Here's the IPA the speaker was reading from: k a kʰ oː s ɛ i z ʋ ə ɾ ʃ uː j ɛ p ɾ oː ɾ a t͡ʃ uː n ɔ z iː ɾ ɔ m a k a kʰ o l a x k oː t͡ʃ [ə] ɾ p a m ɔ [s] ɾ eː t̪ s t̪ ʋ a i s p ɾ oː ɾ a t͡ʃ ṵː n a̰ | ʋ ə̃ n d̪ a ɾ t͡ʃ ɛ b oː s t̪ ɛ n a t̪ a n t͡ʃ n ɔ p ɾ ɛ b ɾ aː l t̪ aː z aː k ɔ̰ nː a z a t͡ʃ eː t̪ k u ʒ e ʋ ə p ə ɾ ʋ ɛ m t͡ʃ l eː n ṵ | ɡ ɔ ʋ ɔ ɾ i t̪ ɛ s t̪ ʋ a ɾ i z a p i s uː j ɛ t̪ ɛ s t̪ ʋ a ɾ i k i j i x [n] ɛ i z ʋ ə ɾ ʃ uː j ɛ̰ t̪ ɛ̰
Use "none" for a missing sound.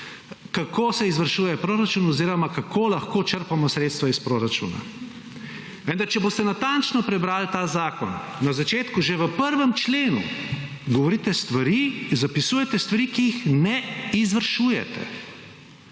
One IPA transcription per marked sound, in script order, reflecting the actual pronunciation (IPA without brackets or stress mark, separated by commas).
ə, s, n